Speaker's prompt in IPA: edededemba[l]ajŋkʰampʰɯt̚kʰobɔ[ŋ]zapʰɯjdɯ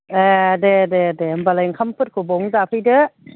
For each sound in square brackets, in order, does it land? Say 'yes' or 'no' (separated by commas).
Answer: yes, yes